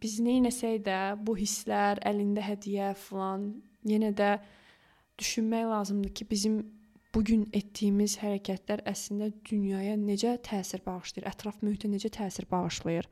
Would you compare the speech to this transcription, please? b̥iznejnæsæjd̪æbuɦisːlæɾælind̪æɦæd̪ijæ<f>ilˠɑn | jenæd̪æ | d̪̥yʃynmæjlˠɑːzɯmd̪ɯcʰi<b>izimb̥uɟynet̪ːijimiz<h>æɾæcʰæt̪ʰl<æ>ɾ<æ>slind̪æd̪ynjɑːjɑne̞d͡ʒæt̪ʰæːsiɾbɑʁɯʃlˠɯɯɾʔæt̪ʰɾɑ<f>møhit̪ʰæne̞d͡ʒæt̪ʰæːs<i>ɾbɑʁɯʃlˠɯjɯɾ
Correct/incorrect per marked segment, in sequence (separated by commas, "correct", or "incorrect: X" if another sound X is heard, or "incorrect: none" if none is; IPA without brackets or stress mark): correct, correct, correct, correct, correct, correct, correct